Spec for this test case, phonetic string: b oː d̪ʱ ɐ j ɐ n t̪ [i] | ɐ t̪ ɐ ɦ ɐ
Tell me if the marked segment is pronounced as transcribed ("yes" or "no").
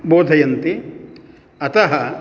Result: yes